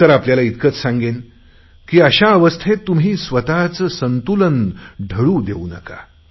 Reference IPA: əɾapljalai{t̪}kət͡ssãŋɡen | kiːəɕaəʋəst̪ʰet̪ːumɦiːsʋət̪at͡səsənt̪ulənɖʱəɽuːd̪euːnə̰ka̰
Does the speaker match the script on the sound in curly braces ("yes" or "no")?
yes